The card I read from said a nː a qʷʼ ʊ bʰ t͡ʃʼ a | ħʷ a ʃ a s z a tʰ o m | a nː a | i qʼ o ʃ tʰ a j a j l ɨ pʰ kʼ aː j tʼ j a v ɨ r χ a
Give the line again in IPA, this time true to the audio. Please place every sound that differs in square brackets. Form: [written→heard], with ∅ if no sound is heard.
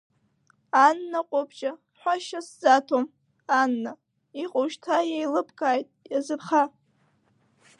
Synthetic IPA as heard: a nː a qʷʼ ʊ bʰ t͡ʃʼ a | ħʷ a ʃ a s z a tʰ o m | a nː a | i qʼ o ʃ tʰ a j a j l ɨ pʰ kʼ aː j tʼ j a [v→z] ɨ r χ a